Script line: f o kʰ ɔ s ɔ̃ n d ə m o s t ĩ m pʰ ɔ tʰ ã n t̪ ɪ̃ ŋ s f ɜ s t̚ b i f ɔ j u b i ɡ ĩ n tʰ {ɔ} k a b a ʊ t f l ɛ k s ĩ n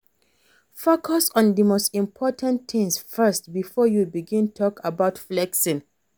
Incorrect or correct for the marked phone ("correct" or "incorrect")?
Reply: correct